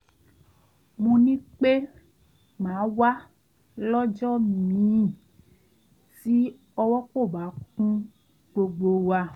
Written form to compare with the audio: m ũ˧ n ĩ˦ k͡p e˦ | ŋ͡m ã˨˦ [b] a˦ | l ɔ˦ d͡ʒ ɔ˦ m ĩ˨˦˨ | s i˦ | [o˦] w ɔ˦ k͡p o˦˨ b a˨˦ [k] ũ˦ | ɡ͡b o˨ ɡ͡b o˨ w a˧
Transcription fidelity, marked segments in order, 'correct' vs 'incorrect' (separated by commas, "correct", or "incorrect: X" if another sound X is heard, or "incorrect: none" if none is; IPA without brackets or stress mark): incorrect: w, incorrect: ɔ˦, correct